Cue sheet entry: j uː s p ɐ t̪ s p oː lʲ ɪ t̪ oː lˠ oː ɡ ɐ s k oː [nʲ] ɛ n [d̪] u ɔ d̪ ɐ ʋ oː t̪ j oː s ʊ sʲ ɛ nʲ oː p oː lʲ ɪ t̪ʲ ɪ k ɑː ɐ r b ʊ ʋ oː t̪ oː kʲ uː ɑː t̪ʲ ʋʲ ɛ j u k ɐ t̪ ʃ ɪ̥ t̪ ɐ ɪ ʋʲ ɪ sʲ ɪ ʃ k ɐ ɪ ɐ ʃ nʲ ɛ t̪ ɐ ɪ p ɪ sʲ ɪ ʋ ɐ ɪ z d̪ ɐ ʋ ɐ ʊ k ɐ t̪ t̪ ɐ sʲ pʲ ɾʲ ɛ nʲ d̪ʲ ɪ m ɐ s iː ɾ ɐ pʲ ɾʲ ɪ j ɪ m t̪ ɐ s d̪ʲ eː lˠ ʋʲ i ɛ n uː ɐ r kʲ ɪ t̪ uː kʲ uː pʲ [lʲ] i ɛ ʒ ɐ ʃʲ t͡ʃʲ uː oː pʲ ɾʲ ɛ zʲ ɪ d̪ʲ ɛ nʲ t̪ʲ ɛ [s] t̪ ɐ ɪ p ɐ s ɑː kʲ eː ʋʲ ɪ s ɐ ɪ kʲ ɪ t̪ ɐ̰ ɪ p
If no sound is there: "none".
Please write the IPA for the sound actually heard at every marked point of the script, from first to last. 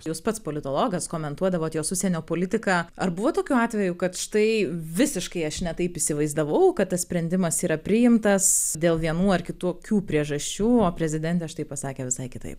mʲ, t̪, ɾʲ, ʃ

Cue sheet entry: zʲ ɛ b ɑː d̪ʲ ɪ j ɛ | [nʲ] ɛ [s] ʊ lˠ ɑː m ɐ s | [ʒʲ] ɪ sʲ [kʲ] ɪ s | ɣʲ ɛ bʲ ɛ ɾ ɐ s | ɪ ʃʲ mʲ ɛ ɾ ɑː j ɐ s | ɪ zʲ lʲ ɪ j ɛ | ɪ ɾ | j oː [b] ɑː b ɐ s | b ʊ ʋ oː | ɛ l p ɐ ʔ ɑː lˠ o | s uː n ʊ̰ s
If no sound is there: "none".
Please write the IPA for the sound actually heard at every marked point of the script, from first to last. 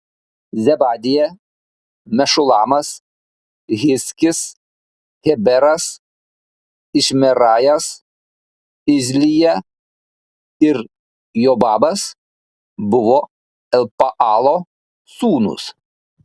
mʲ, ʃ, ɣʲ, kʲ, b

